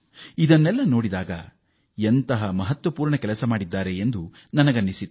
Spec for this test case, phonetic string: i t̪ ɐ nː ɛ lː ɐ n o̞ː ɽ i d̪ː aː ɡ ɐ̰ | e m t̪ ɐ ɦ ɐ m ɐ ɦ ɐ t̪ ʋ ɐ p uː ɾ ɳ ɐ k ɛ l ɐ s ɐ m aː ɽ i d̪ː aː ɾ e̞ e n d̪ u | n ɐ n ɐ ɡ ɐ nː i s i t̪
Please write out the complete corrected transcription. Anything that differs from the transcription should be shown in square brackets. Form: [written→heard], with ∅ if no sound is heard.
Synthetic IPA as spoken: i [t̪→d̪] ɐ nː ɛ lː ɐ n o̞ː ɽ i [d̪ː→d̪] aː ɡ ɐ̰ | e [m→n] t̪ ɐ ɦ ɐ m ɐ ɦ ɐ t̪ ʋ ɐ p uː ɾ ɳ ɐ k ɛ l ɐ s ɐ m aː ɽ i d̪ː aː ɾ e̞ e n d̪ u | n ɐ n ɐ ɡ ɐ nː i s i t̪